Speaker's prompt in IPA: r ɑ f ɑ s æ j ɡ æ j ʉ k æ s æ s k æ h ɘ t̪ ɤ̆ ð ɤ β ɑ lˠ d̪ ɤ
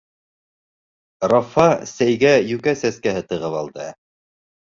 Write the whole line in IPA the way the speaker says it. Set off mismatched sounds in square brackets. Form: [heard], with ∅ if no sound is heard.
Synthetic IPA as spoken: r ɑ f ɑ s æ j ɡ æ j ʉ k æ s æ s k æ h ɘ t̪ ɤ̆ [ʁ] ɤ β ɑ lˠ d̪ ɤ